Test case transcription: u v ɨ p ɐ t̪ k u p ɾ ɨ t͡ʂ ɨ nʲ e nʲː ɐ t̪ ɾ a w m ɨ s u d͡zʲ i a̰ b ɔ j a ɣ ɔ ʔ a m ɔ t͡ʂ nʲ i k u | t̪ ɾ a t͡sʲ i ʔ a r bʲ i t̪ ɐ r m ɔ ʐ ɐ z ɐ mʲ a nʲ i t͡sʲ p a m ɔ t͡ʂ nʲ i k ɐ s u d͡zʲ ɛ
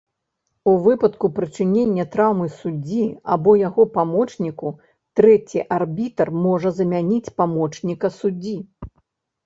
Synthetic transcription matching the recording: u v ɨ p ɐ t̪ k u p ɾ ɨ t͡ʂ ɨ nʲ e nʲː ɐ t̪ ɾ a w m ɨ s u d͡zʲ i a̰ b ɔ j a ɣ ɔ p a m ɔ t͡ʂ nʲ i k u | t̪ ɾ ɛ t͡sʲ i ʔ a r bʲ i t̪ ɐ r m ɔ ʐ ɐ z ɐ mʲ a nʲ i t͡sʲ p a m ɔ t͡ʂ nʲ i k ɐ s u d͡zʲ i

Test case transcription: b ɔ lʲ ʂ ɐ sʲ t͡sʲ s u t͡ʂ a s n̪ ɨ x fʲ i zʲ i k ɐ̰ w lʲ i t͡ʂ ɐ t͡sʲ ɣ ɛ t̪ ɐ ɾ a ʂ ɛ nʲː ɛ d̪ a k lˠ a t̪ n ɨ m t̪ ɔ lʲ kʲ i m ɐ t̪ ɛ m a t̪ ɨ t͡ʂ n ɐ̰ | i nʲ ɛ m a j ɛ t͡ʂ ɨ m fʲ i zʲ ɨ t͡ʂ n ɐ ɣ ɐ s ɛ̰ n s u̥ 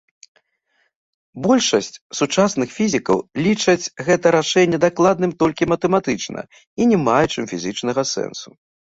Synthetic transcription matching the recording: b ɔ lʲ ʂ ɐ sʲ t͡sʲ s u t͡ʂ a s n̪ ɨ x fʲ i zʲ i k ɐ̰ w lʲ i t͡ʂ ɐ t͡sʲ ɣ ɛ t̪ ɐ ɾ a ʂ ɛ nʲː ɛ d̪ a k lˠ a d̪ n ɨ m t̪ ɔ lʲ kʲ i m ɐ t̪ ɛ m a t̪ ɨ t͡ʂ n ɐ̰ | i nʲ ɛ m a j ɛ t͡ʂ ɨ m fʲ i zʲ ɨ t͡ʂ n ɐ ɣ ɐ s ɛ̰ n s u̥

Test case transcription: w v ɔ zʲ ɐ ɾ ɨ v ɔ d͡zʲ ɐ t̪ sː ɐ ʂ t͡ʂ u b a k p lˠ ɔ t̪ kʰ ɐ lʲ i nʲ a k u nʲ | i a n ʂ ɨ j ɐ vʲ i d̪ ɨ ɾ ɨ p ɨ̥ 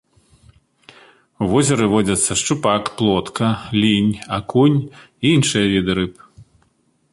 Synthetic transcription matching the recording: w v ɔ zʲ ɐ ɾ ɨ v ɔ d͡zʲ ɐ t̪ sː ɐ ʂ t͡ʂ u p a k p lˠ ɔ t̪ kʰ ɐ lʲ i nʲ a k u nʲ | i i n ʂ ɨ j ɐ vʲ i d̪ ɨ ɾ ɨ p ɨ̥

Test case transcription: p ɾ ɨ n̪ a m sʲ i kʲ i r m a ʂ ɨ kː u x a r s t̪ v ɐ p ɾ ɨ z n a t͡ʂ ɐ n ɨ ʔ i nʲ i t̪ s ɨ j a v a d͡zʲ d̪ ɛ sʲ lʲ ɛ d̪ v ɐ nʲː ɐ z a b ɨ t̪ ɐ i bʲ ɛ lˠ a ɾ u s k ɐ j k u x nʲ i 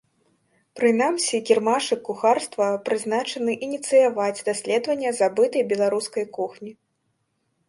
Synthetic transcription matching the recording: p ɾ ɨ n̪ a m sʲ i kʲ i r m a ʂ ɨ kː u x a r s t̪ v ɐ p ɾ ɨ z n a t͡ʂ ɐ n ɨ ʔ i nʲ i t̪ s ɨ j a v a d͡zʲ d̪ a sʲ lʲ ɛ d̪ v ɐ nʲː ɐ z a b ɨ t̪ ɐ j bʲ ɛ lˠ a ɾ u s k ɐ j k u x nʲ i

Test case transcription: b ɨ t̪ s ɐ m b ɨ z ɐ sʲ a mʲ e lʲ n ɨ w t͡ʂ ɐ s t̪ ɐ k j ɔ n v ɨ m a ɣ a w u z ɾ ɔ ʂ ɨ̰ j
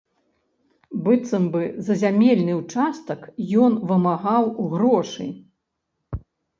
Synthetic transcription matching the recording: b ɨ t̪ s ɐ m b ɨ z ɐ zʲ a mʲ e lʲ n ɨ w t͡ʂ a s t̪ ɐ k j ɔ n v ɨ m a ɣ a w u ɣ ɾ ɔ ʂ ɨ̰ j

